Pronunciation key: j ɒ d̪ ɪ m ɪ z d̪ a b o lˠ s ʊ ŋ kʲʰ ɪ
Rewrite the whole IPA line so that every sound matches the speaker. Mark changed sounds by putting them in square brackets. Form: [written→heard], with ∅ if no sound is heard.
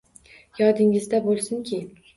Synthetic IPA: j ɒ d̪ ɪ [m→ŋ] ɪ z d̪ a b o lˠ s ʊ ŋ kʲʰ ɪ

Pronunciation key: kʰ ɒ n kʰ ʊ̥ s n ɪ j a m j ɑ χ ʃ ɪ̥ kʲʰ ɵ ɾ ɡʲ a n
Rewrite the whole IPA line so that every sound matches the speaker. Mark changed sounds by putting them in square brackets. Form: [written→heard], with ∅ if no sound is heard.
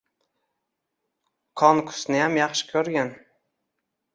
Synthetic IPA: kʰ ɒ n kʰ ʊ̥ s n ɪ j a m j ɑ χ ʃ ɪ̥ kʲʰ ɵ ɾ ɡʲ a n

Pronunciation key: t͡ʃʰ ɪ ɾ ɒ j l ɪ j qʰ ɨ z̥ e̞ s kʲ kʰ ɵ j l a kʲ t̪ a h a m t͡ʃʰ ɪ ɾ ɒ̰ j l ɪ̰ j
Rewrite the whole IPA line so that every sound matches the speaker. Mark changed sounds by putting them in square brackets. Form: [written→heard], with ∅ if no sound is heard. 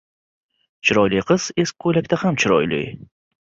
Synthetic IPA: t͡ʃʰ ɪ ɾ ɒ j l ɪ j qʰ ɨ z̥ e̞ s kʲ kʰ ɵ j l a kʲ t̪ a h a m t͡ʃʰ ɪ ɾ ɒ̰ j l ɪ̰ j

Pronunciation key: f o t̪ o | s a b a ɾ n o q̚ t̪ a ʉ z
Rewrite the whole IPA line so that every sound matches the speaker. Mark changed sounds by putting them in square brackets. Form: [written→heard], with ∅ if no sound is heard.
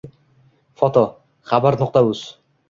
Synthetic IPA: f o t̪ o | [s→χ] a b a ɾ n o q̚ t̪ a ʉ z

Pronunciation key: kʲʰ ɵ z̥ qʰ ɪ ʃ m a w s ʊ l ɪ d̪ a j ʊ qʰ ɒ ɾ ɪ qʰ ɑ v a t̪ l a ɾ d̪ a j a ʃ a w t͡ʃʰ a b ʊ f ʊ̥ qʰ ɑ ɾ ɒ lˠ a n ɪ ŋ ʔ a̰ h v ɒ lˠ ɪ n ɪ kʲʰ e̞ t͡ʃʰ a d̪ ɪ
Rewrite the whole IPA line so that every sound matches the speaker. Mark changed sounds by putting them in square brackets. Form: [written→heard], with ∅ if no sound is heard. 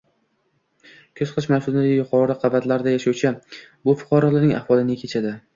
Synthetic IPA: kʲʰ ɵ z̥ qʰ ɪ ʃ m a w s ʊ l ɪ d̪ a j ʊ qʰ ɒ ɾ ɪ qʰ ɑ v a t̪ l a ɾ d̪ a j a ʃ a w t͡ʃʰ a b ʊ f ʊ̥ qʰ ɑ ɾ ɒ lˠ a n ɪ ŋ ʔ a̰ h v ɒ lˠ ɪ n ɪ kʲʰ e̞ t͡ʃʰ a d̪ ɪ

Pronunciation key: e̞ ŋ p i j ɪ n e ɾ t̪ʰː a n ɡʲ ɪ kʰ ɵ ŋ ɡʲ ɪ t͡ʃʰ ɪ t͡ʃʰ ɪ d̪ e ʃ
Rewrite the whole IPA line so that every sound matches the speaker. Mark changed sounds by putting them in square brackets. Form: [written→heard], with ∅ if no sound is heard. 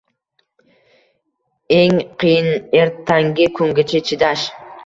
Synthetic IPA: e̞ ŋ [p→q] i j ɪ n e ɾ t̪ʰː a [n→ŋ] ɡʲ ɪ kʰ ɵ ŋ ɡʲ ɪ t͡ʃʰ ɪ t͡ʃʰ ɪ d̪ [e→a] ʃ

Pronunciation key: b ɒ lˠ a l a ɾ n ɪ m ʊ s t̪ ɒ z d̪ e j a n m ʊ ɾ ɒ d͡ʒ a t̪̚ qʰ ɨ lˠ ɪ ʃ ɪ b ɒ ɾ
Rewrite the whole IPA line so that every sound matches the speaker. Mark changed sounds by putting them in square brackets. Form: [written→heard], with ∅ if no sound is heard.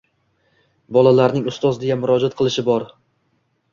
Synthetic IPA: b ɒ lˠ a l a ɾ n ɪ [m→ŋ] ʊ s t̪ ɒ z d̪ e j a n m ʊ ɾ ɒ d͡ʒ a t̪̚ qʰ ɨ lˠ ɪ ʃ ɪ b ɒ ɾ

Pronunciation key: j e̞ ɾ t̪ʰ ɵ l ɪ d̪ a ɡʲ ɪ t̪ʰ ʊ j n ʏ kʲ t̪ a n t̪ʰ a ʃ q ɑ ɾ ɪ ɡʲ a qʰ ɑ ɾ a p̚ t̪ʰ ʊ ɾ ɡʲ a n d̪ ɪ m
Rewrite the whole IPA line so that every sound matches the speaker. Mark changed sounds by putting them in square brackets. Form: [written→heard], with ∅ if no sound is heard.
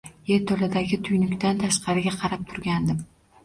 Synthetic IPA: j e̞ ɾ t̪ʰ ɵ l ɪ d̪ a ɡʲ ɪ t̪ʰ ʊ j n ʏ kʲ t̪ a n t̪ʰ a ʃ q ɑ ɾ ɪ ɡʲ a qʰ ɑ ɾ a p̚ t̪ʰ ʊ ɾ ɡʲ a n d̪ ɪ m

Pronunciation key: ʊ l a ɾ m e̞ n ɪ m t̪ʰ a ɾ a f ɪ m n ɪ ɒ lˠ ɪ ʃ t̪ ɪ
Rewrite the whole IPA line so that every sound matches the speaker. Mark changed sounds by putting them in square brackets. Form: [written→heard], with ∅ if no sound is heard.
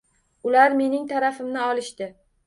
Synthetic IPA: ʊ l a ɾ m e̞ n ɪ [m→ŋ] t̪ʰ a ɾ a f ɪ m n ɪ ɒ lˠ ɪ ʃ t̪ ɪ

